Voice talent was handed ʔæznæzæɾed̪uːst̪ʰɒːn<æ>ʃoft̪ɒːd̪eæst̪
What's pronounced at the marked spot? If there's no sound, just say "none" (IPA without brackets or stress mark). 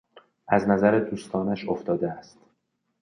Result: æ